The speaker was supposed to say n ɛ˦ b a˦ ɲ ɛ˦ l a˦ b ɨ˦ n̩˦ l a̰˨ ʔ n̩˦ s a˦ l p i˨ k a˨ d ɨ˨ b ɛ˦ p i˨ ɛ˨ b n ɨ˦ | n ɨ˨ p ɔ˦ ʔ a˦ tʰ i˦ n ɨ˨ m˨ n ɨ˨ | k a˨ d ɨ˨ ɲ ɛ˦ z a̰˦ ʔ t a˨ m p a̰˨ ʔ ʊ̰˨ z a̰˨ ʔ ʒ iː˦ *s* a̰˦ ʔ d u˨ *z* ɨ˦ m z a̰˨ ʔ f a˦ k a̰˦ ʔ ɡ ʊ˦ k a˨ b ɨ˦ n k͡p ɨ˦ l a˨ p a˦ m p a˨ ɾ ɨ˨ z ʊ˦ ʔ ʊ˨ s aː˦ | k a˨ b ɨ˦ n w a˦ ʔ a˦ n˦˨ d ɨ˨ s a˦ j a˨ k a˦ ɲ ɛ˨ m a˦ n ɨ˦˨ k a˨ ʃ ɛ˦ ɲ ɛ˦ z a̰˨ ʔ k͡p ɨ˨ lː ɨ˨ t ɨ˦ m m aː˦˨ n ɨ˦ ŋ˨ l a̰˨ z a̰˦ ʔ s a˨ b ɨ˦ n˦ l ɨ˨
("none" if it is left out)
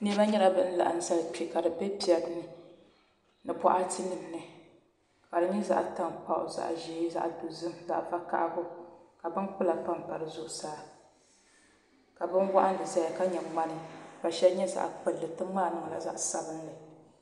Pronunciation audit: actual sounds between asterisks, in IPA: z, z

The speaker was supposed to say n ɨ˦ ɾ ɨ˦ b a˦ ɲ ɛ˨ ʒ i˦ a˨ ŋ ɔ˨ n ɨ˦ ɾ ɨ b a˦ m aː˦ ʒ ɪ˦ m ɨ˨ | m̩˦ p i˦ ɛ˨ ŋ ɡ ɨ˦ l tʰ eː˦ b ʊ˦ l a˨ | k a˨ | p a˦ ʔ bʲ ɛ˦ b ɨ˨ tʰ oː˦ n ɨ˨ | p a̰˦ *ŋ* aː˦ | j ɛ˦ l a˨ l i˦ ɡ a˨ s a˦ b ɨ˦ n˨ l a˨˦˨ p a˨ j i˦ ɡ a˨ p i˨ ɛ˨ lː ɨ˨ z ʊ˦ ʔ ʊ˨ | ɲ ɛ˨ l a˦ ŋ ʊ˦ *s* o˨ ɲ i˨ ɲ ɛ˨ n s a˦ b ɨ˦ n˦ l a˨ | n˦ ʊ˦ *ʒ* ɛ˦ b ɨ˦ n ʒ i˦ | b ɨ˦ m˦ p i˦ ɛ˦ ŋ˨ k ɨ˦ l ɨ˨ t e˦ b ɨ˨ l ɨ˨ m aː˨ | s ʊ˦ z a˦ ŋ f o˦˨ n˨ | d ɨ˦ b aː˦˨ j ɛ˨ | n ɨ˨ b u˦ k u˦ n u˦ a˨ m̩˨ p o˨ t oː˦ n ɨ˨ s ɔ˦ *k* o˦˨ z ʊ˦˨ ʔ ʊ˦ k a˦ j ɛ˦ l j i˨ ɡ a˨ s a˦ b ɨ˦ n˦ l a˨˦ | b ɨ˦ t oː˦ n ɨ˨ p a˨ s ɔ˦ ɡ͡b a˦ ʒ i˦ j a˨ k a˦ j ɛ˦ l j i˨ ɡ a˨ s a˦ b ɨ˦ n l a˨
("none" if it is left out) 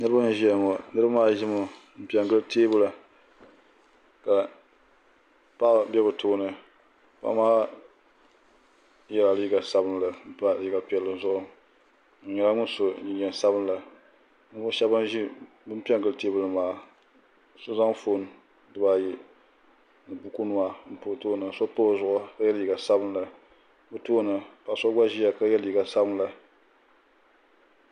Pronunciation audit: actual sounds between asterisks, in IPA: m, s, ʃ, p

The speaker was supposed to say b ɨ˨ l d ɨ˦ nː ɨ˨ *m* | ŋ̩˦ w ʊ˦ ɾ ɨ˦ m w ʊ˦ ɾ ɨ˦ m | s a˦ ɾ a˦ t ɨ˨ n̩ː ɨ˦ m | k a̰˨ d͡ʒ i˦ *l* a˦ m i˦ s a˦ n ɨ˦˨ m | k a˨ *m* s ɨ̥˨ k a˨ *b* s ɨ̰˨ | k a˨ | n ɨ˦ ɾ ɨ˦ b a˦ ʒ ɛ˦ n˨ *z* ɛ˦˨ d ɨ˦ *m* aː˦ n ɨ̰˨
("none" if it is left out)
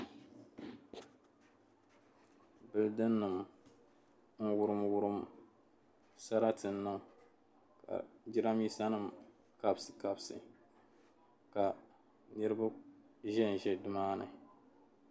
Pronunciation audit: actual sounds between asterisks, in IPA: m, ɾ, b, b, ʒ, m

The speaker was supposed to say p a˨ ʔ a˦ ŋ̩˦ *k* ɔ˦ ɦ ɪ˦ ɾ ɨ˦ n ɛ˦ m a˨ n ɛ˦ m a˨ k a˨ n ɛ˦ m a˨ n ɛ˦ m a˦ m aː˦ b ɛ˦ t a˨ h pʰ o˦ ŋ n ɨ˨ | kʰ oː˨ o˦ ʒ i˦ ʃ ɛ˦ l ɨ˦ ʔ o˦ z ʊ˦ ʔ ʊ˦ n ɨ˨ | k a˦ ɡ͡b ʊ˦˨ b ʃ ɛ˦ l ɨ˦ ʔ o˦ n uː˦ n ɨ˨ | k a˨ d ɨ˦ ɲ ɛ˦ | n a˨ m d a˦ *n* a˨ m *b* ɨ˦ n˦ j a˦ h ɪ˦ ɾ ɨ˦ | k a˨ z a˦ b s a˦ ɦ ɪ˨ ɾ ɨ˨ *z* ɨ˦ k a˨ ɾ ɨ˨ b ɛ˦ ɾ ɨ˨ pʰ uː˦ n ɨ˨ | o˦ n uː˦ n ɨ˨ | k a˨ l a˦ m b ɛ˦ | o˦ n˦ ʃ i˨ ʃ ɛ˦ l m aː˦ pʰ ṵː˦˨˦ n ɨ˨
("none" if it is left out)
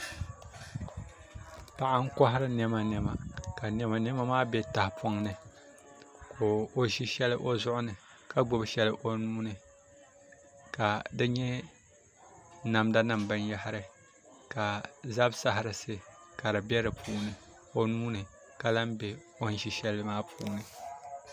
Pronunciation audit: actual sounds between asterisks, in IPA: k, n, b, s

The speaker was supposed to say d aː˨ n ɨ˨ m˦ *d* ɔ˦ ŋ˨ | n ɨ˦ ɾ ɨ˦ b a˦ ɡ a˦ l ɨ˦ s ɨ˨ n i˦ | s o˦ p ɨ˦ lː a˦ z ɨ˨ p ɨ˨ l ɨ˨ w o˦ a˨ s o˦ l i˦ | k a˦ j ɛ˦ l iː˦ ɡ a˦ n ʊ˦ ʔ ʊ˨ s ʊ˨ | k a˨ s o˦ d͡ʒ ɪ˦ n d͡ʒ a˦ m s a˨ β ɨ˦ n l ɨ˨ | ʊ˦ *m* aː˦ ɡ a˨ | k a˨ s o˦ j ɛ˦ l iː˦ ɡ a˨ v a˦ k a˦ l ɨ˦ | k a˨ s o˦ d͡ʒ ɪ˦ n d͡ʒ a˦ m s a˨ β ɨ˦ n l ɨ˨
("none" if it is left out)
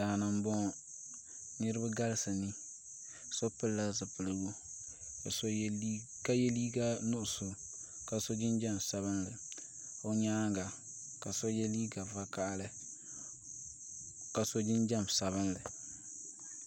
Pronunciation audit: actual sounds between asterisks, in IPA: b, ɲ

